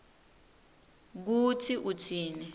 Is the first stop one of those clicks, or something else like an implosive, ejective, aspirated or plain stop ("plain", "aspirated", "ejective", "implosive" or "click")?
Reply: plain